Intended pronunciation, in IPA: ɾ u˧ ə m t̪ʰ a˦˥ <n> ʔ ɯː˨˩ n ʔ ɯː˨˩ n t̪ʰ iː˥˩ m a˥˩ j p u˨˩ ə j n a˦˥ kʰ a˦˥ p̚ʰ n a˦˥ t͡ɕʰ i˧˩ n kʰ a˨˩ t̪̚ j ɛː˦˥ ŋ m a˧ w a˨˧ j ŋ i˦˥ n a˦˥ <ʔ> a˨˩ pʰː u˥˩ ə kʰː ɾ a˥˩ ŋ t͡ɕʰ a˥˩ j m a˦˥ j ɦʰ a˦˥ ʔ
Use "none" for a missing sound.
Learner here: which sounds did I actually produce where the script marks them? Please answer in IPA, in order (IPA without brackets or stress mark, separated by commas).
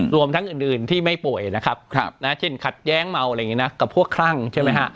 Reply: ŋ, k